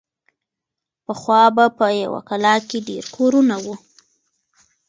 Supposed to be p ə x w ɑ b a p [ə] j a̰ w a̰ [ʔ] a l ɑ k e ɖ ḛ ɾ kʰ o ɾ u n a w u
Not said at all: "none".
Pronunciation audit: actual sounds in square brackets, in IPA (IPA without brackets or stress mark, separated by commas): ə, k